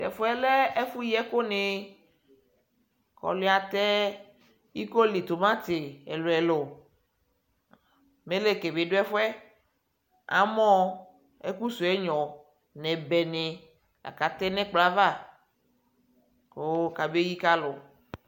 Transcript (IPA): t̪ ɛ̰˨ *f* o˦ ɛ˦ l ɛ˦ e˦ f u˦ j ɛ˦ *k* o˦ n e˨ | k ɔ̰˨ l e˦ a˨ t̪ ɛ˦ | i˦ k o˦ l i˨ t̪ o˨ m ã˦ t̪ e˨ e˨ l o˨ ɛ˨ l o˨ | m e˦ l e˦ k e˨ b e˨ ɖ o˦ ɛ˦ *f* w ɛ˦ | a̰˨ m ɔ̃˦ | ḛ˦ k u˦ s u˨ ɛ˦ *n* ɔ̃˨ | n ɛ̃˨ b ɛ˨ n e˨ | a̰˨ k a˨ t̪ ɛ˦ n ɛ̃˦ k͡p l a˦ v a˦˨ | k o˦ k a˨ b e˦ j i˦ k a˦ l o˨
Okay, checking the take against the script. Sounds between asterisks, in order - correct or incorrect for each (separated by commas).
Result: correct, correct, correct, incorrect